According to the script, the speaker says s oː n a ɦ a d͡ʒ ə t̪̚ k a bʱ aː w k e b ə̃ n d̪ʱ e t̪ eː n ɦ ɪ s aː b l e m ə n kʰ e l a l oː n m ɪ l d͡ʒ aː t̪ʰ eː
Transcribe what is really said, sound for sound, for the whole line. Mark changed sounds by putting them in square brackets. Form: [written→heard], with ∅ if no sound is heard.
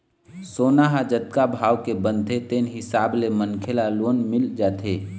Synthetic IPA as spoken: s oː n a ɦ a d͡ʒ ə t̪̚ k a bʱ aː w k e b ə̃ n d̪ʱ e t̪ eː n ɦ ɪ s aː b l e m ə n kʰ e l a l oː n m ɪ l d͡ʒ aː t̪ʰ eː